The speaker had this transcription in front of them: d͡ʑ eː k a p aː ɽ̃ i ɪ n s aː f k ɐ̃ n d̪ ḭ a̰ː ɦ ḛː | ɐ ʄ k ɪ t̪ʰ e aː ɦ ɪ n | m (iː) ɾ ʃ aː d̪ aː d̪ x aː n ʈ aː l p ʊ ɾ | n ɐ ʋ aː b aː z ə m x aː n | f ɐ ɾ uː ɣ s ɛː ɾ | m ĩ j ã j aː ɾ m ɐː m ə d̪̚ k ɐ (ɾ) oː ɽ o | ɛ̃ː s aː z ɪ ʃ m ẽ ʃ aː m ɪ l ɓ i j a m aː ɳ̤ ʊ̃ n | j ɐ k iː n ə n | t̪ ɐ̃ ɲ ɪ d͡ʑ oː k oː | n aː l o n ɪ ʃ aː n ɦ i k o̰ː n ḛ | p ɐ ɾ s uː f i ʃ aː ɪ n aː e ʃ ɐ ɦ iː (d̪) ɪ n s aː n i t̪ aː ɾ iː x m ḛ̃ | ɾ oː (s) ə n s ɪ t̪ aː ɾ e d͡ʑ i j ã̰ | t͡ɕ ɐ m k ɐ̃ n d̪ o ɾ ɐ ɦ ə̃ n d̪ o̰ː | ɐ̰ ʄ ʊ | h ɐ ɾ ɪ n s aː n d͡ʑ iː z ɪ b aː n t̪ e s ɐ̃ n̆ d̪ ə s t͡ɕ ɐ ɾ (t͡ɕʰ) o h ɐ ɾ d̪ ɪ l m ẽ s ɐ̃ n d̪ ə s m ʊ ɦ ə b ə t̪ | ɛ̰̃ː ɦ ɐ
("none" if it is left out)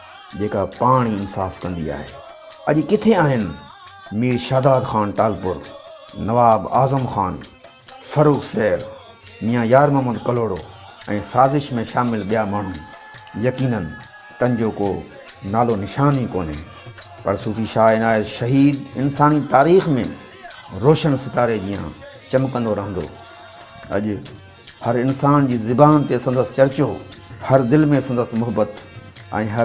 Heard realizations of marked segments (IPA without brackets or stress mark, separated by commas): iː, l, d̪, ʃ, t͡ɕ